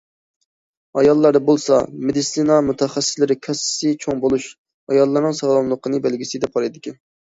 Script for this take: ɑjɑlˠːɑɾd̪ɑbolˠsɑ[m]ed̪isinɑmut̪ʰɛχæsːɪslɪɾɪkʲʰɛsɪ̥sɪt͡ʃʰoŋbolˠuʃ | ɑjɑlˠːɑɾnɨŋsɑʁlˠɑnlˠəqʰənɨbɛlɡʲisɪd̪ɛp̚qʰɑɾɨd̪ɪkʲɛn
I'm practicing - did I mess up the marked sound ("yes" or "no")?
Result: no